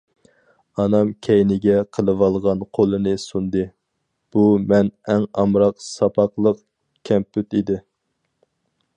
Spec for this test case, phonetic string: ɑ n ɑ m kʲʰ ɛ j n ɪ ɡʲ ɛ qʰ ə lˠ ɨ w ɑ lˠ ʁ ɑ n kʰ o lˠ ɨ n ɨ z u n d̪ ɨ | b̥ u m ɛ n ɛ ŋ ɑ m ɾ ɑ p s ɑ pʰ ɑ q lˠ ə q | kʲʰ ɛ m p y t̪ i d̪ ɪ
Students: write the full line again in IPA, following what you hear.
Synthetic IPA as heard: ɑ n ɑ m kʲʰ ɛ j n ɪ ɡʲ ɛ qʰ ə lˠ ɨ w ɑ lˠ ʁ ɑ n qʰ o lˠ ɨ n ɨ s u n d̪ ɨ | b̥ u m ɛ n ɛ ŋ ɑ m ɾ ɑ q s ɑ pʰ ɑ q lˠ ə q | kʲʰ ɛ m p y t̪ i d̪ ɪ

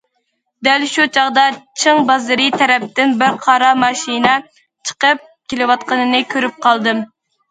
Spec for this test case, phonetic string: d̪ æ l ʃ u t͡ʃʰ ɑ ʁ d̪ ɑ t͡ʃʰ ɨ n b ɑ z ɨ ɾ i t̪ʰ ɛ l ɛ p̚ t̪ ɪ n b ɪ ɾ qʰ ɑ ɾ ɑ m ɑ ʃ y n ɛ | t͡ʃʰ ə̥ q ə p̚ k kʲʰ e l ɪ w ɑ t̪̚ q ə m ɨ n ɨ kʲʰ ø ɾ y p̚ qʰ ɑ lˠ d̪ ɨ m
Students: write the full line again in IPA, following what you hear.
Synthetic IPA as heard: d̪ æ l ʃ u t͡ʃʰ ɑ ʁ d̪ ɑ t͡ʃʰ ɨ ŋ b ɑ z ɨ ɾ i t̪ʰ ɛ ɾ ɛ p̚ t̪ ɪ n b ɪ ɾ qʰ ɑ ɾ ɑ m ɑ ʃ i n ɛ | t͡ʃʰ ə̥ q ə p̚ k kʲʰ e l ɪ w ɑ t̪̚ q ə n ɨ n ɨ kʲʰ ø ɾ y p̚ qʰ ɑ lˠ d̪ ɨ m

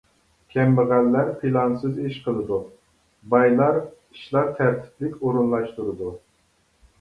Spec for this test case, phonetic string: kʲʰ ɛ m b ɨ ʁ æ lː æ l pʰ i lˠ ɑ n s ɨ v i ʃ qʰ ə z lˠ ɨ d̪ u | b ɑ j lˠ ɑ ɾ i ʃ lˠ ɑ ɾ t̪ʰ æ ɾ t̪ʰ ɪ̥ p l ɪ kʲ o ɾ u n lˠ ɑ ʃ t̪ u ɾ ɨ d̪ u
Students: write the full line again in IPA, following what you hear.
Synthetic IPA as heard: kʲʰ ɛ m b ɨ ʁ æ lː æ ɾ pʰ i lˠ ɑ n s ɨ z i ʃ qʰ ə lˠ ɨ d̪ u | b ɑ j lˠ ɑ ɾ i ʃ lˠ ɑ ɾ t̪ʰ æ ɾ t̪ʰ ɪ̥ p l ɪ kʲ o ɾ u n lˠ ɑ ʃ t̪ u ɾ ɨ d̪ u

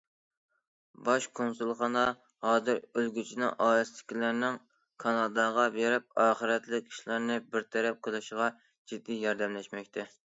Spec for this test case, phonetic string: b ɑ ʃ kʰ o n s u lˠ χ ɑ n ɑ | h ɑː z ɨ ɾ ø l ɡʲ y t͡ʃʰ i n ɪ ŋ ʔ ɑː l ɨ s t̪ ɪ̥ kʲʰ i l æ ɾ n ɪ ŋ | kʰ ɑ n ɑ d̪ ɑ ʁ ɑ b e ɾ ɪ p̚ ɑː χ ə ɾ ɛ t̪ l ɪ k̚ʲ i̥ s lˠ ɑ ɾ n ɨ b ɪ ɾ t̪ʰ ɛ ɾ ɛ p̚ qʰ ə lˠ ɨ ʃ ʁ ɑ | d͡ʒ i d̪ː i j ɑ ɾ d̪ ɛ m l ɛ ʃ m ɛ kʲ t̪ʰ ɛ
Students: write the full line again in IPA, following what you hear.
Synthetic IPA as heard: b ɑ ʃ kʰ o n s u lˠ χ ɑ n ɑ | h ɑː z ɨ ɾ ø l ɡʲ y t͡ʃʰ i n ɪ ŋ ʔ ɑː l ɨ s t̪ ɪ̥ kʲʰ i l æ ɾ n ɪ ŋ | kʰ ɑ n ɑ d̪ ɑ ʁ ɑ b e ɾ ɪ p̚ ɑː χ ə ɾ ɛ t̪ l ɪ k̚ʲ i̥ ʃ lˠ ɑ ɾ n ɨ b ɪ ɾ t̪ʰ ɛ ɾ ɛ p̚ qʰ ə lˠ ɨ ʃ ʁ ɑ | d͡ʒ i d̪ː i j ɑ ɾ d̪ ɛ m l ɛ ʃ m ɛ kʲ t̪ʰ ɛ

